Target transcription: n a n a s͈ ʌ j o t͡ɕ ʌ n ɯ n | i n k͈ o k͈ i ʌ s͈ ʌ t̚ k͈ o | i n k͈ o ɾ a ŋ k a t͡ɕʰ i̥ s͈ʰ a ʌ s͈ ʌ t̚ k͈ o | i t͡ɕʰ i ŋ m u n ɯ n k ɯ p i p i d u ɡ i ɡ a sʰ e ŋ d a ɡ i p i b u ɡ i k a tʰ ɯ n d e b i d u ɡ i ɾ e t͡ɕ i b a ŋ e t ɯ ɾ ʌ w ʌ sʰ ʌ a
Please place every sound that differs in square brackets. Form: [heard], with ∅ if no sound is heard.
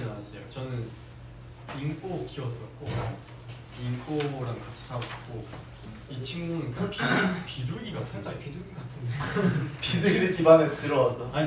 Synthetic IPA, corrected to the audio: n a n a s͈ ʌ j o t͡ɕ ʌ n ɯ n | i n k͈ o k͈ i ʌ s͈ ʌ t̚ k͈ o | i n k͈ o ɾ a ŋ k a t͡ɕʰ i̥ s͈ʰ a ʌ s͈ ʌ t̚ k͈ o | i t͡ɕʰ i ŋ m u n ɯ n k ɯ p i p i d u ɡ i ɡ a sʰ e ŋ d a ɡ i p i [d] u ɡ i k a tʰ ɯ n d e [p] i d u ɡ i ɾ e t͡ɕ i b a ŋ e t ɯ ɾ ʌ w [a] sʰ ʌ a

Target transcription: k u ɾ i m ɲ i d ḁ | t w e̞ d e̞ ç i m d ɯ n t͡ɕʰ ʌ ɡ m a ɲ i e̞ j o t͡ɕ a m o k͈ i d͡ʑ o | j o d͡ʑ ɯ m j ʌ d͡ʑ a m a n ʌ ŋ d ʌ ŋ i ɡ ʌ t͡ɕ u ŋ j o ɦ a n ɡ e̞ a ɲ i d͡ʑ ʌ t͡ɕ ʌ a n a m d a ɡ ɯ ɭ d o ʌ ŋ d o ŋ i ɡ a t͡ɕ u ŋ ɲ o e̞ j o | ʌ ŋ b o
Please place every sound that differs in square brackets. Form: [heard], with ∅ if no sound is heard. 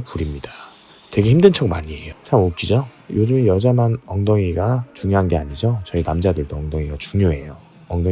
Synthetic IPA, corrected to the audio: [p] u ɾ i m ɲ i d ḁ | t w e̞ [ɡ] e̞ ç i m d ɯ n t͡ɕʰ ʌ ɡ m a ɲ i e̞ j o [t͡ɕʰ] a m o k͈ i d͡ʑ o | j o d͡ʑ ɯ m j ʌ d͡ʑ a m a n ʌ ŋ d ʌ ŋ i ɡ [a] t͡ɕ u ŋ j o ɦ a n ɡ e̞ a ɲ i d͡ʑ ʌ t͡ɕ ʌ [i] n a m [d͡ʑ] a [d] ɯ ɭ d o ʌ ŋ d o ŋ i ɡ a t͡ɕ u ŋ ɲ o e̞ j o | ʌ ŋ [d] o

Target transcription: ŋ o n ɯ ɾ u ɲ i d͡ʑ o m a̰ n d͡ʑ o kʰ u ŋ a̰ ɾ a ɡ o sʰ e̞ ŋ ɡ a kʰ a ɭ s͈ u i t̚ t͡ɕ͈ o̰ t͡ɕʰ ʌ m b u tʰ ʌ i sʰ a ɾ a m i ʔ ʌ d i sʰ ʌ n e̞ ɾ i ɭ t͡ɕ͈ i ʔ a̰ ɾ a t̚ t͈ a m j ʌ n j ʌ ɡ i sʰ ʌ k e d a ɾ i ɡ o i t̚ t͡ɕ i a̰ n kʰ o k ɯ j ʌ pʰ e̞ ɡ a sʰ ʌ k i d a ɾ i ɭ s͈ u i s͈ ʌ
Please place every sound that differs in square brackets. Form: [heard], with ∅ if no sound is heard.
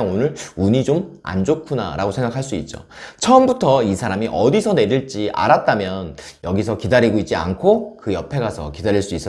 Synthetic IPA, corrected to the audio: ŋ o n ɯ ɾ u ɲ i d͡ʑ o m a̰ n d͡ʑ o kʰ u [n] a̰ ɾ a ɡ o sʰ e̞ ŋ ɡ a kʰ a ɭ s͈ u i t̚ t͡ɕ͈ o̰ t͡ɕʰ ʌ m b u tʰ ʌ i sʰ a ɾ a m i ʔ ʌ d i sʰ ʌ n e̞ ɾ i ɭ t͡ɕ͈ i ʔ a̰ ɾ a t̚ t͈ a m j ʌ n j ʌ ɡ i sʰ ʌ k [i] d a ɾ i ɡ o i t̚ t͡ɕ i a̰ n kʰ o k ɯ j ʌ pʰ e̞ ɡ a sʰ ʌ k i d a ɾ i ɭ s͈ u i s͈ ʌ

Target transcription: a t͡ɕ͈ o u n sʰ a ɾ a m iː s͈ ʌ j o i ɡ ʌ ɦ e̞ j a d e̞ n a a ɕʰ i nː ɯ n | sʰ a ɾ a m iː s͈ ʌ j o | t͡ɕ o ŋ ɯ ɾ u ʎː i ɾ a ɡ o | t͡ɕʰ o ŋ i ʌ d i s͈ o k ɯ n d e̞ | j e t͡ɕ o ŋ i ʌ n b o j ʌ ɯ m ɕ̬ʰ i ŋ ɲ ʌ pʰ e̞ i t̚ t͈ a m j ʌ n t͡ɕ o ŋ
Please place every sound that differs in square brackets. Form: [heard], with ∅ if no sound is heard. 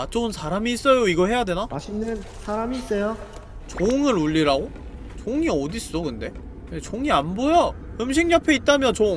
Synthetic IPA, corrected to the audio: a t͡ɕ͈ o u n sʰ a ɾ a m iː s͈ ʌ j o i ɡ ʌ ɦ e̞ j a d e̞ n a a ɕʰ i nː ɯ n | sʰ a ɾ a m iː s͈ ʌ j o | t͡ɕ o ŋ ɯ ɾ u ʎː i ɾ a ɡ o | [t͡ɕ] o ŋ i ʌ d i s͈ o k ɯ n d e̞ | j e t͡ɕ o ŋ i [a] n b o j ʌ ɯ m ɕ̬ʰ i ŋ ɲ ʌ pʰ e̞ i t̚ t͈ a m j ʌ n t͡ɕ o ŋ

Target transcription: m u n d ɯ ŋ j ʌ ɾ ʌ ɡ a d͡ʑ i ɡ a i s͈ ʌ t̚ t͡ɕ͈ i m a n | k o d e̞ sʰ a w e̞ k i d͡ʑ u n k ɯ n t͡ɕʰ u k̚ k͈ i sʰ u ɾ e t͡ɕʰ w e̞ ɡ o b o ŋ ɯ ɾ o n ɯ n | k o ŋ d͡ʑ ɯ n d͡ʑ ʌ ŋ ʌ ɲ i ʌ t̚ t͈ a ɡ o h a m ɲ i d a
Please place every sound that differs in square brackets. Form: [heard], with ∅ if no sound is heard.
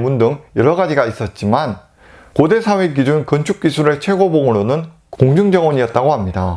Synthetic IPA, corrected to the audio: m u n d ɯ ŋ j ʌ ɾ ʌ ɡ a d͡ʑ i ɡ a i s͈ ʌ t̚ t͡ɕ͈ i m a n | k o d e̞ sʰ a w e̞ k i d͡ʑ u n k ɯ n t͡ɕʰ u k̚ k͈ i sʰ u ɾ e t͡ɕʰ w e̞ ɡ o b o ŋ ɯ ɾ o n ɯ n | k o ŋ d͡ʑ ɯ [ŋ] d͡ʑ ʌ ŋ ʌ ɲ i ʌ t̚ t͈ a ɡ o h a m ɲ i d a

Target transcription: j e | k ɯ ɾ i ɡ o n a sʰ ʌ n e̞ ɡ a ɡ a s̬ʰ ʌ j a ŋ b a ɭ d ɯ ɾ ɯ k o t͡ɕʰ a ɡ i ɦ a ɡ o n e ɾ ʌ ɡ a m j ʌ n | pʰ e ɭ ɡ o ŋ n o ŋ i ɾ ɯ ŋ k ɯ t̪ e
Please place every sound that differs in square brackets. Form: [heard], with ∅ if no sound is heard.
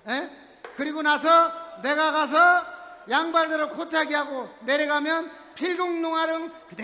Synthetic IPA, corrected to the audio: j e | k ɯ ɾ i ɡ o n a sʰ ʌ n e̞ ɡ a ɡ a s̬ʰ ʌ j a ŋ b a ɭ d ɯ ɾ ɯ [kʰ] o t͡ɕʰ a ɡ i ɦ a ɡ o n e ɾ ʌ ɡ a m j ʌ n | pʰ [i] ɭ ɡ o ŋ n o ŋ [a] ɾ ɯ ŋ k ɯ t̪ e

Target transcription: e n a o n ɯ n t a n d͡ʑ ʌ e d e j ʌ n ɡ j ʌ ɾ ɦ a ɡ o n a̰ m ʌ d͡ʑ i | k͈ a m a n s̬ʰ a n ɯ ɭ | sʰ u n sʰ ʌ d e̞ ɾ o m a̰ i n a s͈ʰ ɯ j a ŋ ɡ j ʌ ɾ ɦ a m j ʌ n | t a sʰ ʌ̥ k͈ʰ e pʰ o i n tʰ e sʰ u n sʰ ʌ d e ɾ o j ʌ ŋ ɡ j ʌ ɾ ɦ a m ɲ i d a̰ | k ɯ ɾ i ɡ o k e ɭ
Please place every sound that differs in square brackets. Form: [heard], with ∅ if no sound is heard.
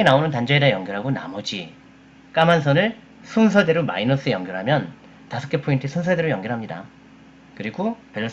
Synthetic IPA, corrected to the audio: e n a o n ɯ n t a n d͡ʑ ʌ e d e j ʌ [ŋ] ɡ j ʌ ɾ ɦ a ɡ o n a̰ m ʌ d͡ʑ i | k͈ a m a n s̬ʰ [ʌ] n ɯ ɭ | sʰ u n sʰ ʌ d e̞ ɾ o m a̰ i n [ʌ] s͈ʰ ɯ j [ʌ] ŋ ɡ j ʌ ɾ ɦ a m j ʌ n | t a sʰ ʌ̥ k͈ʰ e pʰ o i n tʰ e sʰ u n sʰ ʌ d e ɾ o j ʌ ŋ ɡ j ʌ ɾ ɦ a m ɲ i d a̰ | k ɯ ɾ i ɡ o [p] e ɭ

